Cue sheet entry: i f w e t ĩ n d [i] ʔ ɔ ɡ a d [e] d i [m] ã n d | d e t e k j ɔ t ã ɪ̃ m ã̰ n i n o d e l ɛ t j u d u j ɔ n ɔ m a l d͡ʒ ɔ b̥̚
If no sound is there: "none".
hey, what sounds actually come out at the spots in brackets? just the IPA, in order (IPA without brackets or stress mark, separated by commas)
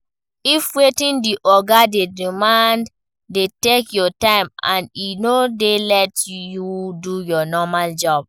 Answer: i, e, m